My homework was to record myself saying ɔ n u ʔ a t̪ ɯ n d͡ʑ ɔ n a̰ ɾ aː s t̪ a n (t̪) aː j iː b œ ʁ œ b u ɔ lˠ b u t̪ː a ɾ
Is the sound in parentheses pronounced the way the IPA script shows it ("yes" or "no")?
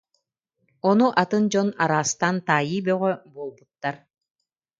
yes